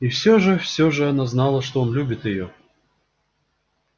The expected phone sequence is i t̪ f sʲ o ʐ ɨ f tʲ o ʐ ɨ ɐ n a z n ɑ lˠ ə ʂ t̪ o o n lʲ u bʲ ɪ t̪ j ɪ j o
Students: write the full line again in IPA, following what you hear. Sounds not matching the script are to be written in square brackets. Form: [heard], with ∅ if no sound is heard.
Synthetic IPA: i [∅] f sʲ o ʐ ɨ f [sʲ] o ʐ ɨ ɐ n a z n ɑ lˠ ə ʂ t̪ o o n lʲ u bʲ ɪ t̪ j ɪ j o